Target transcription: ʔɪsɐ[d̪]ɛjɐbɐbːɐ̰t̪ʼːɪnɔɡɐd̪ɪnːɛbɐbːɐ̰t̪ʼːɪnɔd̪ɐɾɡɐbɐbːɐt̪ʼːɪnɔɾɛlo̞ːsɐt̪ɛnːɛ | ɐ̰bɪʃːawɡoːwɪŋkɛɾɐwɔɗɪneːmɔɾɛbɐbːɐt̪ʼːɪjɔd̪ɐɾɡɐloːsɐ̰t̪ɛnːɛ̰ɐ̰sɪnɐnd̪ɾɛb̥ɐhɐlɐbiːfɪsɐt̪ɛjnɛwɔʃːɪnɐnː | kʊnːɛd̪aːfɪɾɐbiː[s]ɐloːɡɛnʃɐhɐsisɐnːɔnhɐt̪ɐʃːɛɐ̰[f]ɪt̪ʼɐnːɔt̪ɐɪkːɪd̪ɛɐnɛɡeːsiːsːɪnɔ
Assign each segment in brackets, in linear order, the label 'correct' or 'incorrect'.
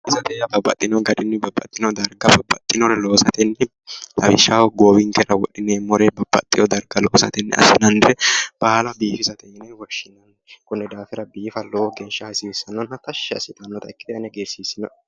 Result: incorrect: t̪, incorrect: f, incorrect: s

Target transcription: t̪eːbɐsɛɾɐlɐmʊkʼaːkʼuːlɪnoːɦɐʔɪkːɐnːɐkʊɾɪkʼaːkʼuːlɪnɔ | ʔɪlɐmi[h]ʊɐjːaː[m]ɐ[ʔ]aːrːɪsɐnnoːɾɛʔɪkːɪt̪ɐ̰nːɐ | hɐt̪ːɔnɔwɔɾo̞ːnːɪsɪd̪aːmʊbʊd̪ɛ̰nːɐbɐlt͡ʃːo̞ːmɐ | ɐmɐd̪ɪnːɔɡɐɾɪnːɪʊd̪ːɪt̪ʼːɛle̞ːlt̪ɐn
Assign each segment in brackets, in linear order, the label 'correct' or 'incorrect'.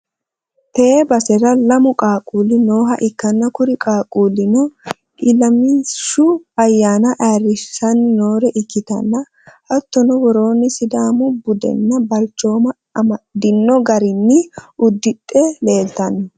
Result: incorrect: ʃ, incorrect: n, correct

